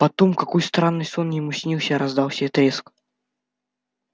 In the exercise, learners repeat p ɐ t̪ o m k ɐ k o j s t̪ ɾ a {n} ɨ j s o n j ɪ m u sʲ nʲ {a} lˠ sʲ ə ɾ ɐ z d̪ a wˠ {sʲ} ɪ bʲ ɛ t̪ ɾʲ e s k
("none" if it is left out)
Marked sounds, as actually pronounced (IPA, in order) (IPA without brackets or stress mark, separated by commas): nː, i, sʲ